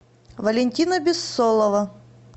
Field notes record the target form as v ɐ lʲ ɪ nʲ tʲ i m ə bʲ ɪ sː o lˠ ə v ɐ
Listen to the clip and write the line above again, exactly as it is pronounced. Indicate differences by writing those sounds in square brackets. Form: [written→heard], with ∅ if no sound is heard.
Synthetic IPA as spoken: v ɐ lʲ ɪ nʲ tʲ i [m→n] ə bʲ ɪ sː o lˠ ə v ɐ